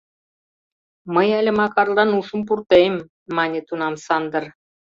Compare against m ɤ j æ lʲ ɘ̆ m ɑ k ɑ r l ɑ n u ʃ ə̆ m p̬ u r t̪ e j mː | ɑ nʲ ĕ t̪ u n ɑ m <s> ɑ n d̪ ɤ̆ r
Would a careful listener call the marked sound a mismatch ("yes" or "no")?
no